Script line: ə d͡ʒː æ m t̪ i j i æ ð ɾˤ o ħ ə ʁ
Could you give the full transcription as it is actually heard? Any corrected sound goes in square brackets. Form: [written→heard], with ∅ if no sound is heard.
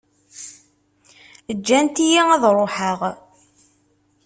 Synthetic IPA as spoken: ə d͡ʒː æ [m→n] t̪ i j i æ ð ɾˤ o ħ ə ʁ